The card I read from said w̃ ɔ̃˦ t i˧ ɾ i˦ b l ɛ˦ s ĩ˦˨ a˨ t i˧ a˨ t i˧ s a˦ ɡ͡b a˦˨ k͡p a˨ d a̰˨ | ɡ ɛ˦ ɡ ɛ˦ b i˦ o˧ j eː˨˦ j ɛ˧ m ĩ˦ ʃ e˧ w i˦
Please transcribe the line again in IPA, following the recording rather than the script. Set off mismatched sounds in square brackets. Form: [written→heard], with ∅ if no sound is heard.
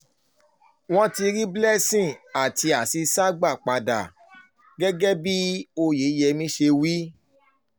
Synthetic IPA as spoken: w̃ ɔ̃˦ t i˧ ɾ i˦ b l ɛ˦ s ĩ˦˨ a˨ t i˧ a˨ [t→s] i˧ s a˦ ɡ͡b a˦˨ k͡p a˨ d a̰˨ | ɡ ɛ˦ ɡ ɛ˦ b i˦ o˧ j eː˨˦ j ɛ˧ m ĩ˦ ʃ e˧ w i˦